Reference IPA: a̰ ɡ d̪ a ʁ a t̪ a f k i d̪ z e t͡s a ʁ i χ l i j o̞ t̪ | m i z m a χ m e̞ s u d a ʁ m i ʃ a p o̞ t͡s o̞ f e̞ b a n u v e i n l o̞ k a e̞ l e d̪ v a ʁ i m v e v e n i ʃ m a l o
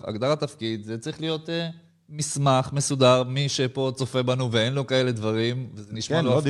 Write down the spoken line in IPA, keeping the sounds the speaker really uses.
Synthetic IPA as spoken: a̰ ɡ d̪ a ʁ a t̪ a f k i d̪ z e t͡s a ʁ i χ l i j o̞ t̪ | m i s m a χ m e̞ s u d a ʁ m i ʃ e p o̞ t͡s o̞ f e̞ b a n u v e e n l o̞ k a e̞ l e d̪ v a ʁ i m v e z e n i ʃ m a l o